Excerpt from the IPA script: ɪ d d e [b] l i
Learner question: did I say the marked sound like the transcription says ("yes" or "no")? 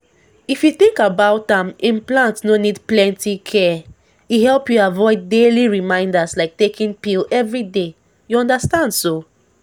no